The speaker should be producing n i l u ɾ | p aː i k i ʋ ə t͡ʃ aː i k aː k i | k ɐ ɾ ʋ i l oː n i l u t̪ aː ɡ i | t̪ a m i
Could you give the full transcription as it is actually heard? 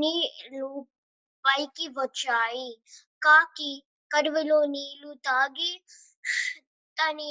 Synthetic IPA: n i l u | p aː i k i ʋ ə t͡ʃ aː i k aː k i | k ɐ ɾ ʋ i l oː n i l u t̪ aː ɡ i | t̪ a n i